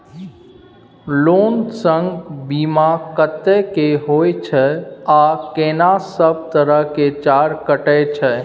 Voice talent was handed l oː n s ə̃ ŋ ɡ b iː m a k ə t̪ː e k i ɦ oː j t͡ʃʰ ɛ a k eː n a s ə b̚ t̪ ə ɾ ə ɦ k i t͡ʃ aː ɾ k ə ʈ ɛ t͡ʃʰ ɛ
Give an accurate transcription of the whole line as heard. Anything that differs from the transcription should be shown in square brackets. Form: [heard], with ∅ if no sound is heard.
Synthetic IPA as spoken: l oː n s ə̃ ŋ ɡ b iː m a k ə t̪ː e k [e] ɦ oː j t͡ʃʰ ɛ a k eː n a s ə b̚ t̪ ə ɾ ə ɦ k [e] t͡ʃ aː ɾ k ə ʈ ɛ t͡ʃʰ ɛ